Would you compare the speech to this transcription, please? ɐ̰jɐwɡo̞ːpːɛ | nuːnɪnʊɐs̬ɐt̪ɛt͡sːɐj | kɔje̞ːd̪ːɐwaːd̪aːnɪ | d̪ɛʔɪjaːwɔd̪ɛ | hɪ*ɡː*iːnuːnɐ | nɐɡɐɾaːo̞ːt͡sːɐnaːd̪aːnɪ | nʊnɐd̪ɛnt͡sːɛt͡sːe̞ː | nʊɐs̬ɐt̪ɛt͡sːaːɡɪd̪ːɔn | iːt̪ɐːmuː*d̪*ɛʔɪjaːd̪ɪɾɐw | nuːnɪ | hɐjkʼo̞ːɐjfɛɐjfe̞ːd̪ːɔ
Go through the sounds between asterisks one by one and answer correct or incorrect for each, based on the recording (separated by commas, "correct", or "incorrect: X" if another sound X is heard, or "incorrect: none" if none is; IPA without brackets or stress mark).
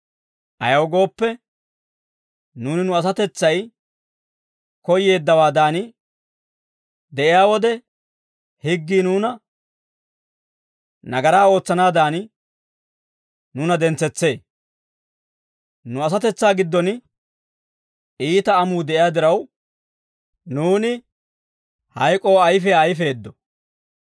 correct, correct